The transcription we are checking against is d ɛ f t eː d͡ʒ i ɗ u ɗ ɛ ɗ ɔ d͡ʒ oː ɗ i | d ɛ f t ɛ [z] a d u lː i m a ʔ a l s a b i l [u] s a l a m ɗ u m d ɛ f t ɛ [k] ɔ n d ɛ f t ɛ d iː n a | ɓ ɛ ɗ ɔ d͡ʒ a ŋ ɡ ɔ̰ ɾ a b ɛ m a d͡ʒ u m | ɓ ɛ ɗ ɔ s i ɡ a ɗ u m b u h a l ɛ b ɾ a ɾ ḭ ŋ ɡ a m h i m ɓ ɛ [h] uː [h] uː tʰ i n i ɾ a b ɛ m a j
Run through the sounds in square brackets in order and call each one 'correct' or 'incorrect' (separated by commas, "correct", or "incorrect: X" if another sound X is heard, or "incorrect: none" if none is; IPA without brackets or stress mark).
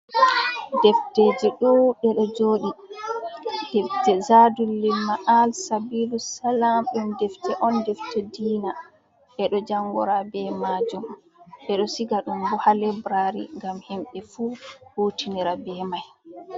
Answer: correct, correct, incorrect: ʔ, incorrect: f, correct